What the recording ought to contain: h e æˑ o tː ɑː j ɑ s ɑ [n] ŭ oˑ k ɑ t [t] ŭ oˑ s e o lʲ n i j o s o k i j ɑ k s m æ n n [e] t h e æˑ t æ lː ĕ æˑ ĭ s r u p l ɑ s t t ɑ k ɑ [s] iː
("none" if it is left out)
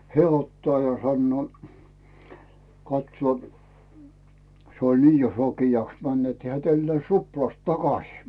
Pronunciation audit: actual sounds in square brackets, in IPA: nː, s, e, s

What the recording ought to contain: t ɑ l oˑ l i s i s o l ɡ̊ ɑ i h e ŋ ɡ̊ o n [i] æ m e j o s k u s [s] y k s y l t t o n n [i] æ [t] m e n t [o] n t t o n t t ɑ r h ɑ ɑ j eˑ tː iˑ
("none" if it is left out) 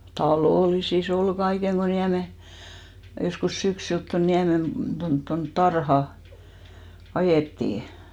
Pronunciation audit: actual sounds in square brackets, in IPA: i, s, i, none, o

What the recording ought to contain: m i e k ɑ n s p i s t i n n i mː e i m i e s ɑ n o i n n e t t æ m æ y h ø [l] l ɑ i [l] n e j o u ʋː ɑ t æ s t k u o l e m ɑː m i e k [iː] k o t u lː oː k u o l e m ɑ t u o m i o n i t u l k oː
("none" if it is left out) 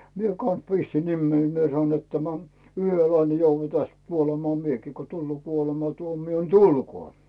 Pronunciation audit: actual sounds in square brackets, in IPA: l, l, iː

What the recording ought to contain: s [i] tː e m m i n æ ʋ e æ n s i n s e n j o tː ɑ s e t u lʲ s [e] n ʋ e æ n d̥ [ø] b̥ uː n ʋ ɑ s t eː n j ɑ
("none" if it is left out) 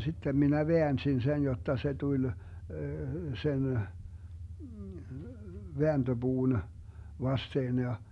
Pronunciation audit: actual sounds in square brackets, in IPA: i, e, ø

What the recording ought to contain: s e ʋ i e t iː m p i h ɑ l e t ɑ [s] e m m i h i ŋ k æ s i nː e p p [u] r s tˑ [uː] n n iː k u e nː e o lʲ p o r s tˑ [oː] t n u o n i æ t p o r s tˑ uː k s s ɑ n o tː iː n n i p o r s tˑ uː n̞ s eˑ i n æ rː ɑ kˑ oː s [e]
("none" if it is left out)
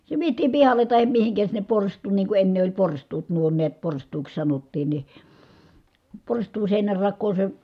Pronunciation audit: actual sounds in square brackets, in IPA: h, o, uː, uː, e

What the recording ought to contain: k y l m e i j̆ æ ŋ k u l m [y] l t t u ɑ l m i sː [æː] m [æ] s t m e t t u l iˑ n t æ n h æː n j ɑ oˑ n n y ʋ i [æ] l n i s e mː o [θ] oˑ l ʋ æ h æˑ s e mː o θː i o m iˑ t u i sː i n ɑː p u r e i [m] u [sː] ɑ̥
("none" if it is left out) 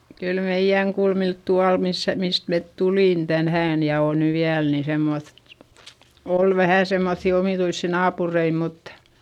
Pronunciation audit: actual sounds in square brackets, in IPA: i, æ, i, æ, θ, m, tː

